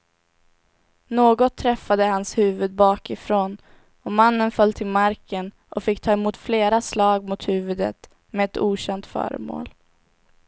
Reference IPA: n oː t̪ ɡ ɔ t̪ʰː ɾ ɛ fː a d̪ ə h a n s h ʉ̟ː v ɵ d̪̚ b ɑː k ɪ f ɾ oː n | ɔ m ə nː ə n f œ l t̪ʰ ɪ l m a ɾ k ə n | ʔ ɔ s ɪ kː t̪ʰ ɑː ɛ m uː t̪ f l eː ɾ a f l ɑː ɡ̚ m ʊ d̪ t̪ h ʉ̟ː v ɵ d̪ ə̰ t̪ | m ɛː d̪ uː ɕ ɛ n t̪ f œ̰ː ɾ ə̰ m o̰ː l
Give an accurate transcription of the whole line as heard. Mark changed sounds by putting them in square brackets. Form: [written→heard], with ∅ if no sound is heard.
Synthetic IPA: n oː [t̪→∅] ɡ ɔ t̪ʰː ɾ ɛ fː a d̪ ə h a n s h ʉ̟ː v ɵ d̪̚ b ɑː k ɪ f ɾ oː n | ɔ m [ə→a] nː ə n f œ l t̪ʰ ɪ l m a ɾ k ə n | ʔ ɔ [s→f] ɪ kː t̪ʰ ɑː ɛ m uː t̪ f l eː ɾ a [f→s] l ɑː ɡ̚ m ʊ [d̪→∅] t̪ h ʉ̟ː v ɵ d̪ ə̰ t̪ | m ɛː [d̪→t̪] uː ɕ ɛ n t̪ f œ̰ː ɾ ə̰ m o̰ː l